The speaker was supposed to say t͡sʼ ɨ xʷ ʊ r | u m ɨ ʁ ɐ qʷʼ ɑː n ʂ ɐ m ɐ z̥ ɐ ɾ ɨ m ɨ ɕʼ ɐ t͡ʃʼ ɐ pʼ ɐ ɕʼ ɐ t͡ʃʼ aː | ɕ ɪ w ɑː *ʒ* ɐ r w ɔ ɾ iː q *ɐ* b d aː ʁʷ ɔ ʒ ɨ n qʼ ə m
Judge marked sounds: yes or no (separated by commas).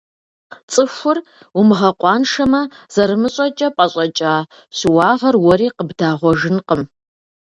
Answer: no, no